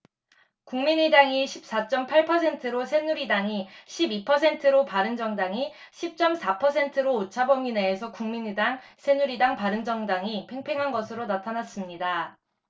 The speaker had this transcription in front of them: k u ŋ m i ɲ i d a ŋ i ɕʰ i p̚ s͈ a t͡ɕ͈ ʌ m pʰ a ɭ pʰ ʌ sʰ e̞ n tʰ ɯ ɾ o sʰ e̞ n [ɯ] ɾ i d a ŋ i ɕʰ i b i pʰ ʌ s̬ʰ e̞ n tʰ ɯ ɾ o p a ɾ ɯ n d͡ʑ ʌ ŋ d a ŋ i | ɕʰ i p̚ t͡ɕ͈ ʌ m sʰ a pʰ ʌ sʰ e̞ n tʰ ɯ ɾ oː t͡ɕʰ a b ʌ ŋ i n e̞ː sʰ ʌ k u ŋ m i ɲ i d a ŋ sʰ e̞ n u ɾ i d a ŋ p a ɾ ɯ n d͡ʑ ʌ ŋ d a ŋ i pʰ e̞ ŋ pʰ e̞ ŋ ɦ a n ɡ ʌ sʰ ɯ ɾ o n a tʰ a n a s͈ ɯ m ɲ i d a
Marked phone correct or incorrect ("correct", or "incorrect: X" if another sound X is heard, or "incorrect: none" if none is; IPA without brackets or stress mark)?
incorrect: u